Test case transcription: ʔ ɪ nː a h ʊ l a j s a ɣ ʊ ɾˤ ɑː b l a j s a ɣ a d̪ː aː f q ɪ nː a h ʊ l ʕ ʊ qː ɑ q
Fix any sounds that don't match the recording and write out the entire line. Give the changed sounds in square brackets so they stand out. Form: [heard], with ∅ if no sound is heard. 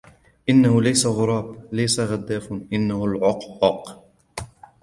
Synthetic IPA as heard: ʔ ɪ nː a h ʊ l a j s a ɣ ʊ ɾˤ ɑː b l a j s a ɣ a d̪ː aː f [ʔ] ɪ nː a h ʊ l ʕ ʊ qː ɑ q